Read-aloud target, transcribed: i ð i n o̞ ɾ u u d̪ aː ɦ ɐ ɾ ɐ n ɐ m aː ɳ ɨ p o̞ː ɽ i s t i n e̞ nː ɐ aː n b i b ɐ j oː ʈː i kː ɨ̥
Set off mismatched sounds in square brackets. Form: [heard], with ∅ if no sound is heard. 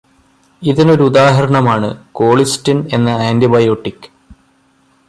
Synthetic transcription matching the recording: i ð i n o̞ ɾ u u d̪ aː ɦ ɐ ɾ ɐ [ɳ] ɐ m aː ɳ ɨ [k] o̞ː [ɭ] i s t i n e̞ nː ɐ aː n [d] i b ɐ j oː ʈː i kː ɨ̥